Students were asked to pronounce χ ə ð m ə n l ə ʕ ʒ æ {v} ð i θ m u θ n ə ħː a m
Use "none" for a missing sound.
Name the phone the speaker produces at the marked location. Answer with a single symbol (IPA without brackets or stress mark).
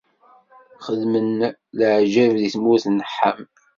v